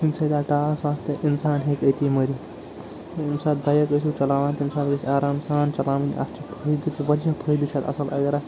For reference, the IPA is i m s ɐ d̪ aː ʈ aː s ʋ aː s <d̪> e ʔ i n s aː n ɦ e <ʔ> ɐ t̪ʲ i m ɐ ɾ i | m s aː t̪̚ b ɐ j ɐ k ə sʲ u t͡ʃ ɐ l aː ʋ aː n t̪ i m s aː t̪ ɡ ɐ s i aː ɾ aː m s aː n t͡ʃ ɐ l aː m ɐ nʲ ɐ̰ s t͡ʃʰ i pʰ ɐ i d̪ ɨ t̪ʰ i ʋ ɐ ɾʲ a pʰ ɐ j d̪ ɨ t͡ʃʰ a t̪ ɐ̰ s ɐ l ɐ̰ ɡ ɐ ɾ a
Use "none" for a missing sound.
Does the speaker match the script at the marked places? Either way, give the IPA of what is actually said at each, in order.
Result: t̪, k

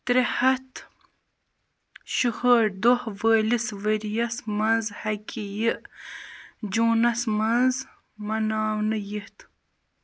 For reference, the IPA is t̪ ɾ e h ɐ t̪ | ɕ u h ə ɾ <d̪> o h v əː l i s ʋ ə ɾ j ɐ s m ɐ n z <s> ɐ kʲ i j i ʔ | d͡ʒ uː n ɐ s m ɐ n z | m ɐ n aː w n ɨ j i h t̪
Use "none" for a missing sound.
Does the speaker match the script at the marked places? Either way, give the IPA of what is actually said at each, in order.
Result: d̪, h

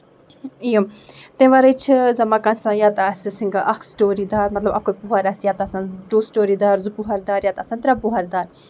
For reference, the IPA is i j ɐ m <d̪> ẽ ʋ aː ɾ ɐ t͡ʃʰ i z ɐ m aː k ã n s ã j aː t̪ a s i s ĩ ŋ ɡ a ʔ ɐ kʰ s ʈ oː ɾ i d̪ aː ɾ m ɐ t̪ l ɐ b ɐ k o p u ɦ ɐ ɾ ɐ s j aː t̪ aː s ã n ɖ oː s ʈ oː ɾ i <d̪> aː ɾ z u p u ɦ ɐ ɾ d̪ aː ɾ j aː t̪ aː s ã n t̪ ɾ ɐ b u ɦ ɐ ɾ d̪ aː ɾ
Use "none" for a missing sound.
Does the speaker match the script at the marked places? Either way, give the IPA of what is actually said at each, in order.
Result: t̪, d̪

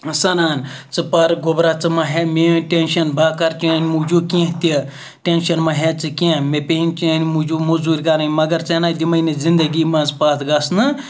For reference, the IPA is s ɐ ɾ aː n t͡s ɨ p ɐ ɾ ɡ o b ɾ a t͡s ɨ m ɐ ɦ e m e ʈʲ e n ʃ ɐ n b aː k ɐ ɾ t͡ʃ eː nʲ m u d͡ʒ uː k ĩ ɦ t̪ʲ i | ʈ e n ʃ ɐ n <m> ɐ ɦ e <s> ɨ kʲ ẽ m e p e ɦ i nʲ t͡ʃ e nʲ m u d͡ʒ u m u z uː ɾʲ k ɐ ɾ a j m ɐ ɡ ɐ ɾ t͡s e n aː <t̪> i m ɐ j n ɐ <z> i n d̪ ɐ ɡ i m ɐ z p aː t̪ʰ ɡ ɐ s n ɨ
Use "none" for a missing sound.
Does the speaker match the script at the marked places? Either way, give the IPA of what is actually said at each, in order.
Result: m, t͡s, d̪, z

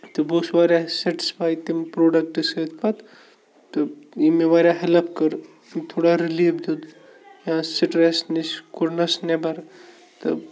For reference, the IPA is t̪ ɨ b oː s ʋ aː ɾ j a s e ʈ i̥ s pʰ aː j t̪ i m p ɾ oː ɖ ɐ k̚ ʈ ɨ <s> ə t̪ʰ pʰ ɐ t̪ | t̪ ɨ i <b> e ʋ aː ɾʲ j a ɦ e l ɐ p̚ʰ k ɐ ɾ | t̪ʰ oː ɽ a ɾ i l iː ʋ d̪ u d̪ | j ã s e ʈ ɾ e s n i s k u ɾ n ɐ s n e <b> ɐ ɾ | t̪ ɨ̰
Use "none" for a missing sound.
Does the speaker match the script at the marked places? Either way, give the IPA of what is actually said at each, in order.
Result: s, m, b

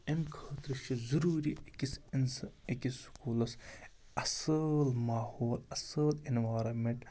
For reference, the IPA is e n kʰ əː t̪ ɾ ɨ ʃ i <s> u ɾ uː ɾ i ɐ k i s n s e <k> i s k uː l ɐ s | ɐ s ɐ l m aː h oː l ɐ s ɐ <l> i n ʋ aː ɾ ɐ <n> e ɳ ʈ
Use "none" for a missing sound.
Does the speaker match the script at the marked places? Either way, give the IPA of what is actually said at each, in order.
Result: z, k, l, m

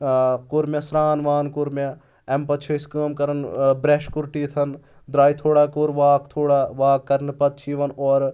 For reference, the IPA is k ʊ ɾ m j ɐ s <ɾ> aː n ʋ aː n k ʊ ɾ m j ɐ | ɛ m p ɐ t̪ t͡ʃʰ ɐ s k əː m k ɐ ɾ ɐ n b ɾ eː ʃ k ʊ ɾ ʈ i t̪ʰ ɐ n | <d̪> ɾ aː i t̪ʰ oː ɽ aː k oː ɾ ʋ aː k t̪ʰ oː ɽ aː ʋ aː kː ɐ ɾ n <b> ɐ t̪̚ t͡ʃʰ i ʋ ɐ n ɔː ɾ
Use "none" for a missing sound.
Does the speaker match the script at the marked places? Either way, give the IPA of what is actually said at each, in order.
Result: ɾ, d̪, p

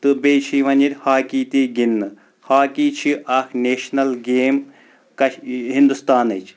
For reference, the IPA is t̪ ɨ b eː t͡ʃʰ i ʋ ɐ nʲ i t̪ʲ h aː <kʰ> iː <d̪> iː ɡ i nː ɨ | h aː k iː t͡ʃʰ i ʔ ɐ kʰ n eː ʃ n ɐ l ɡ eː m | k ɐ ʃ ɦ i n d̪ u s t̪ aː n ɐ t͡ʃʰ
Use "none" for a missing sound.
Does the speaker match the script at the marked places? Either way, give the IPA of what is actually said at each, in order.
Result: k, t̪

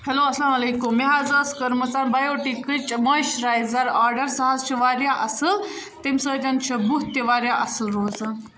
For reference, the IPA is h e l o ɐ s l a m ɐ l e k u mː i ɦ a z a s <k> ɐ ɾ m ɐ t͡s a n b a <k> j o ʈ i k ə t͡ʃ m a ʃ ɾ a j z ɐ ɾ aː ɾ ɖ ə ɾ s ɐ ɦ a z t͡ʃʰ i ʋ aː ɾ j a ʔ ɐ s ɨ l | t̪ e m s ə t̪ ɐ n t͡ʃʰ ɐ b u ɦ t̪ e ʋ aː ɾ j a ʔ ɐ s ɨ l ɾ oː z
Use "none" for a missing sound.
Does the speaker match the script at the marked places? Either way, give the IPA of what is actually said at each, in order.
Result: k, none

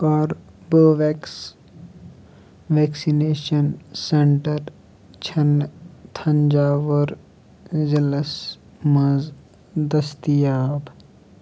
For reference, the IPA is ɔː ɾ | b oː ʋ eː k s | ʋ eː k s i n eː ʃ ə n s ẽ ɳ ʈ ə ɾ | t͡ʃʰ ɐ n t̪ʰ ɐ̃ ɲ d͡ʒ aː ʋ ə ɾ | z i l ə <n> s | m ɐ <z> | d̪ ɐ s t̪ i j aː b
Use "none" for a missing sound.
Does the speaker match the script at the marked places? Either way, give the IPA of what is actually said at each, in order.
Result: none, z

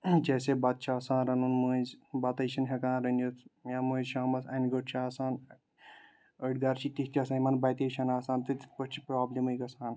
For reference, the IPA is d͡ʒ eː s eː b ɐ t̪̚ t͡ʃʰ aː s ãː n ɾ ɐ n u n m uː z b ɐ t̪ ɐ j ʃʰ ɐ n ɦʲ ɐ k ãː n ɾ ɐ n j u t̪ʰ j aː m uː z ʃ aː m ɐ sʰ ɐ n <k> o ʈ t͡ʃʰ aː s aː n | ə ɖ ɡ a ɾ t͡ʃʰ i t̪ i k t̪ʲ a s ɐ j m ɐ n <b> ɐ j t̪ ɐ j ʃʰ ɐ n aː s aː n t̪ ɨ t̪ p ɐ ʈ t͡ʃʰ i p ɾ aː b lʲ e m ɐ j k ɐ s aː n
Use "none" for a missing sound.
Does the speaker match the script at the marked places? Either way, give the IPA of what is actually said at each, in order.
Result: ɡ, b

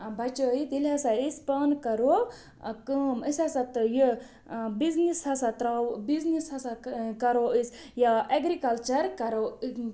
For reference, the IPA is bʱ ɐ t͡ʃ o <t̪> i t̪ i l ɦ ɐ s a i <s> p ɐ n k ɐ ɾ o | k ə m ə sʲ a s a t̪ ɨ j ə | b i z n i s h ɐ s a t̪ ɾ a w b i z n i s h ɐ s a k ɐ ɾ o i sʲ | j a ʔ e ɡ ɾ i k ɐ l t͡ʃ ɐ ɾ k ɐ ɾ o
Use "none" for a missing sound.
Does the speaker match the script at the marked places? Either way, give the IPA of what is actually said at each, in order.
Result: none, s

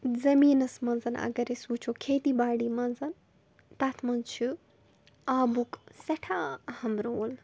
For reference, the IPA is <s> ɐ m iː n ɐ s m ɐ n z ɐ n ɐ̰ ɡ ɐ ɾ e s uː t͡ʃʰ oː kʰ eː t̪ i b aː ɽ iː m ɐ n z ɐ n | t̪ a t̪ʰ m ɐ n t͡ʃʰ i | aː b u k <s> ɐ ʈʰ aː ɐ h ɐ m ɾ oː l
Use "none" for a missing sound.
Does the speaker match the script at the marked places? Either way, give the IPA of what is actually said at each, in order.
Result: z, s

